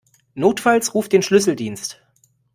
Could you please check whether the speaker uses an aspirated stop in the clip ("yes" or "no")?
no